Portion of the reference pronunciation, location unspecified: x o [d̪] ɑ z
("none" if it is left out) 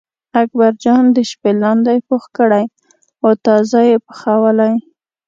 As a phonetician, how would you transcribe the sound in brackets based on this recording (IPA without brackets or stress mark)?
t̪